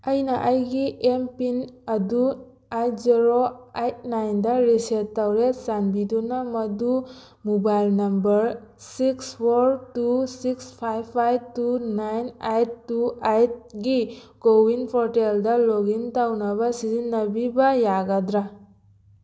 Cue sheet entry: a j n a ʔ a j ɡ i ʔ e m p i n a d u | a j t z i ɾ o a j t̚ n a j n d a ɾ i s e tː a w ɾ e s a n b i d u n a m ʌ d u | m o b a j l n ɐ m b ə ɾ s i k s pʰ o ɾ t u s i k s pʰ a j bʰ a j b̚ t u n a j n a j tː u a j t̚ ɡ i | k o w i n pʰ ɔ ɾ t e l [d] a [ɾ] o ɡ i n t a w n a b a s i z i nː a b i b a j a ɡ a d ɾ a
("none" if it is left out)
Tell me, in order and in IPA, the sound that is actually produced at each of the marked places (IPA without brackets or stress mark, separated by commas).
d, l